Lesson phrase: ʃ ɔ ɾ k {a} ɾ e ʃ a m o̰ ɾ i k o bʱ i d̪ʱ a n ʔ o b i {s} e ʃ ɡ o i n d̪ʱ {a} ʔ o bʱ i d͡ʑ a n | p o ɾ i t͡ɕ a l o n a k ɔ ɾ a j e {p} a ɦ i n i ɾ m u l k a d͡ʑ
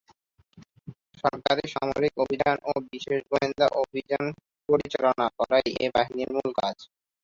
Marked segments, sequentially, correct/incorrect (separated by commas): correct, incorrect, correct, incorrect